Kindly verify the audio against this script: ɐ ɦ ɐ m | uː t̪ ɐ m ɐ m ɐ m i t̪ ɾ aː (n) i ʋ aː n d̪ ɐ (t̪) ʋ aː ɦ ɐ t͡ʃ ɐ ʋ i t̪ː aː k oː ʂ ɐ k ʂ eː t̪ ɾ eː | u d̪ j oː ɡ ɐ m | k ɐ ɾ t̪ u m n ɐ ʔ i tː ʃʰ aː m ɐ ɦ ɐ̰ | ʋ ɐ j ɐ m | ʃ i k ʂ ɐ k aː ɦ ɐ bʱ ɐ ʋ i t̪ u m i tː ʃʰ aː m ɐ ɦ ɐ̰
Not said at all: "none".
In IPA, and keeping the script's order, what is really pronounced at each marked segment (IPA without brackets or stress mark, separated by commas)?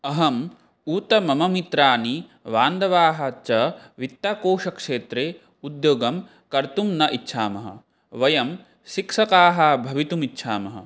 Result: n, none